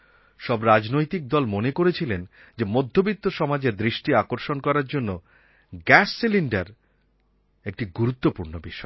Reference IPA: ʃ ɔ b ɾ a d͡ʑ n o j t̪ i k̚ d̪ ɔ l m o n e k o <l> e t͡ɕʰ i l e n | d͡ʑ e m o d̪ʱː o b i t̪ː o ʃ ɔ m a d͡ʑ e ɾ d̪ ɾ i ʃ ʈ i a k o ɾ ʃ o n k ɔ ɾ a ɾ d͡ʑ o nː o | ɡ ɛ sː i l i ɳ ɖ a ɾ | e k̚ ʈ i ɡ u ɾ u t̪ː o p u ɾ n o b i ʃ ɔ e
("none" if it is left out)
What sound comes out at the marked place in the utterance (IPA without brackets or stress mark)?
ɾ